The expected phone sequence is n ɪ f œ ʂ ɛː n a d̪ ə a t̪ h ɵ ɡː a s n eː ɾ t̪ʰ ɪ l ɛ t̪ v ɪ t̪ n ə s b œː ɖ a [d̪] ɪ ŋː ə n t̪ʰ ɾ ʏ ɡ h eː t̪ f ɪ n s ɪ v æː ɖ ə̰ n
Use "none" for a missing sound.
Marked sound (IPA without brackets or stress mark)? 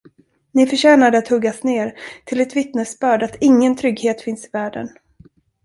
t̪